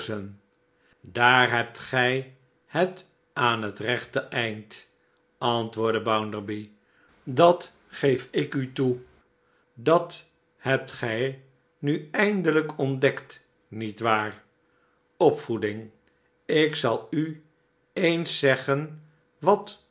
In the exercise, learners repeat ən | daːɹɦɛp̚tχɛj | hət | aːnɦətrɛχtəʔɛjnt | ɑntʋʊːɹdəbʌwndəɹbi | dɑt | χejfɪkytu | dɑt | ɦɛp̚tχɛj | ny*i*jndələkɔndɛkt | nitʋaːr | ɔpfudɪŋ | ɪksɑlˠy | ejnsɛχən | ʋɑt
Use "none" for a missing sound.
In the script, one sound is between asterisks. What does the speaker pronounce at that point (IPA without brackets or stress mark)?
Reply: ɛ